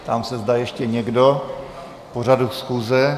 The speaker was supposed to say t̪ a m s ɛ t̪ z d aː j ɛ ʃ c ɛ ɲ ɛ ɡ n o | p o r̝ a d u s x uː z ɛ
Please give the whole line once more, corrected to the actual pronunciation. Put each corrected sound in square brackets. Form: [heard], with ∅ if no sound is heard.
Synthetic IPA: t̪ a m s ɛ [∅] z d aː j ɛ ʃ c ɛ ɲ ɛ ɡ [d] o | p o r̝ a d u s x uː z ɛ